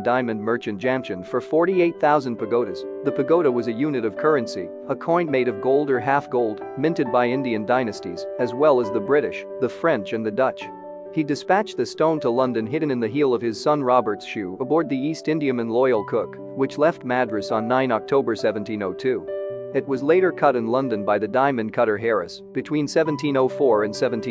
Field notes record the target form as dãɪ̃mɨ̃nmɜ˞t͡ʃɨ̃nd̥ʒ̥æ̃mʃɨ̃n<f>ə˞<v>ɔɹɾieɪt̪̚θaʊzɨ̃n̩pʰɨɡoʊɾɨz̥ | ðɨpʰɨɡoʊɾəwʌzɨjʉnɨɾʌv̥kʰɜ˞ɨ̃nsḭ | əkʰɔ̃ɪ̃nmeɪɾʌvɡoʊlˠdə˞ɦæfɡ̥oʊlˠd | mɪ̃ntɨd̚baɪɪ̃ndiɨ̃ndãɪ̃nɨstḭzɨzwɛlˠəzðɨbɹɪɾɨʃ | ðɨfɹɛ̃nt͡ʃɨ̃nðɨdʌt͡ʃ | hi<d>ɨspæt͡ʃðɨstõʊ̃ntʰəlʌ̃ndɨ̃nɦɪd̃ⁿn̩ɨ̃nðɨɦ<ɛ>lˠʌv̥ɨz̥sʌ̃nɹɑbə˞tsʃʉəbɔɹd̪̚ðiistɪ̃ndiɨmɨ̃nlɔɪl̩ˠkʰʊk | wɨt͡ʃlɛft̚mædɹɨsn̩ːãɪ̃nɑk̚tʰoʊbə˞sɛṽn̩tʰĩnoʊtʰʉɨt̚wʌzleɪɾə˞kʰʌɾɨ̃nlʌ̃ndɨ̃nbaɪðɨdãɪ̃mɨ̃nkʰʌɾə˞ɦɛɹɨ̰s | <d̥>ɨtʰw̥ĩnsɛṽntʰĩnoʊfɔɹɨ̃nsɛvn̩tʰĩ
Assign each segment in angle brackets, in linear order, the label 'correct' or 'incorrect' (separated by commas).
correct, incorrect, correct, incorrect, incorrect